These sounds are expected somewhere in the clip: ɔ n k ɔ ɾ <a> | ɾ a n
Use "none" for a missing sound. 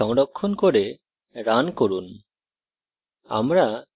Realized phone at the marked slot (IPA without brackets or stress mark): e